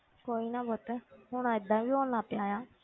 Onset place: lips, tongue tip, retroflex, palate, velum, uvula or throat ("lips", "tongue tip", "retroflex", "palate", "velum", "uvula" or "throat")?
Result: velum